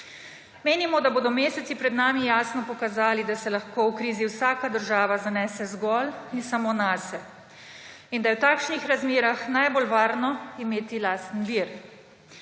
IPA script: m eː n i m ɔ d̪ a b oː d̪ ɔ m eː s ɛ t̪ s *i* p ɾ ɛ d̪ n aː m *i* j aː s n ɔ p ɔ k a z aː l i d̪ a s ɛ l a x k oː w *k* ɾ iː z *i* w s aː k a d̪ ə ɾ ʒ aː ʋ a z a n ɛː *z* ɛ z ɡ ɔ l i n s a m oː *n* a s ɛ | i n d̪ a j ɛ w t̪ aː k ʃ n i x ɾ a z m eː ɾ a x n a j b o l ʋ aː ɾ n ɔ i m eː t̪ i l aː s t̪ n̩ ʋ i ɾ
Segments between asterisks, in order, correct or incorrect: correct, correct, correct, correct, incorrect, correct

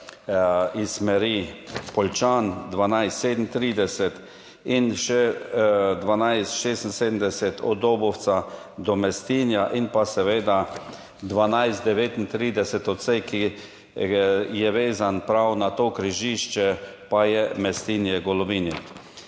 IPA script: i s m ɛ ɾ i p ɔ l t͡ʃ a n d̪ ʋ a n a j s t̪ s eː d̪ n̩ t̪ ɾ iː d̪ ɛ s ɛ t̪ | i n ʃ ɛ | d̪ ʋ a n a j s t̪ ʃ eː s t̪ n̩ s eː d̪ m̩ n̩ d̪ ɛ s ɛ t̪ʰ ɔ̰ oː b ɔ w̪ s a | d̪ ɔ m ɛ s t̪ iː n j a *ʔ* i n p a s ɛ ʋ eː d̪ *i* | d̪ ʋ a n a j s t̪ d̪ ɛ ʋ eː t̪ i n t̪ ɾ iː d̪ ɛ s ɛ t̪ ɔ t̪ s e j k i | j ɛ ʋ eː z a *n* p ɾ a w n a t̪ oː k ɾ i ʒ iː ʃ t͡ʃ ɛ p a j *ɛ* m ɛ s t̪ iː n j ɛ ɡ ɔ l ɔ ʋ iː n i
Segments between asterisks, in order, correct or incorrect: correct, incorrect, correct, correct

